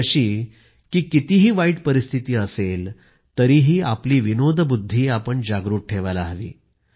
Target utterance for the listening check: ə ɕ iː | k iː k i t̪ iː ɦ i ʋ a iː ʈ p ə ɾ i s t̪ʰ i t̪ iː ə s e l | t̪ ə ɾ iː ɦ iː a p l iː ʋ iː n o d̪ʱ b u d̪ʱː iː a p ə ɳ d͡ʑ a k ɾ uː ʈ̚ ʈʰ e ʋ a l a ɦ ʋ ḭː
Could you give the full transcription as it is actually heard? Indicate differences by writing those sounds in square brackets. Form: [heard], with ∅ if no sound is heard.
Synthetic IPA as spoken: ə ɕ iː | k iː k i t̪ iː ɦ [iː] ʋ a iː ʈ p ə ɾ i s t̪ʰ i t̪ iː ə s e l | t̪ ə ɾ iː ɦ iː a p l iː ʋ [i] n o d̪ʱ b u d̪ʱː iː a p ə ɳ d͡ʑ a [ɡ] ɾ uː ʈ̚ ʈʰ e ʋ a l a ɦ ʋ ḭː